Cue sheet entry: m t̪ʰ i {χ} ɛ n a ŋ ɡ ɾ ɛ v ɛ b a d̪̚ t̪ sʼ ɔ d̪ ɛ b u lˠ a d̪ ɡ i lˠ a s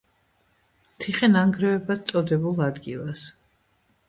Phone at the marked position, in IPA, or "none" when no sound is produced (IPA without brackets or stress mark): χ